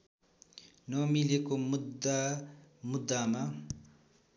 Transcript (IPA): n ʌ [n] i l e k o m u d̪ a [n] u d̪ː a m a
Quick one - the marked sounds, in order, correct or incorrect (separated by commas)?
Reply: incorrect, incorrect